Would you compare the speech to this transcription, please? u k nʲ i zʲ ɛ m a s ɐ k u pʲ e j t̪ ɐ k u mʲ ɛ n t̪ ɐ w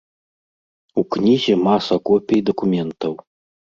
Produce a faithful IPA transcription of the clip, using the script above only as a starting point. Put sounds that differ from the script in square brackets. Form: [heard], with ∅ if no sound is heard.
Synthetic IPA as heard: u k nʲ i zʲ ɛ m a s ɐ k [ɔ] pʲ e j [d̪] ɐ k u mʲ ɛ n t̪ ɐ w